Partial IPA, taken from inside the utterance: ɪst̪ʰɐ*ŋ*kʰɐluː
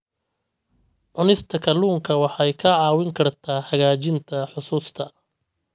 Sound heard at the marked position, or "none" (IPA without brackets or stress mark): none